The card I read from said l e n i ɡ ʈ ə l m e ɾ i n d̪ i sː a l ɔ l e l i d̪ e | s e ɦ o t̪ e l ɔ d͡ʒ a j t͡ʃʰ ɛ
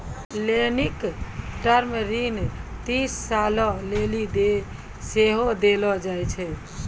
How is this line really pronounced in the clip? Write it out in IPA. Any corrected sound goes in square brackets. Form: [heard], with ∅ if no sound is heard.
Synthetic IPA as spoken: l e n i [k] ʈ ə [ɾ] m e ɾ i n [t̪] i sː a l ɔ l e l i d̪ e | s e ɦ o [d̪] e l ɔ d͡ʒ a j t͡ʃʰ ɛ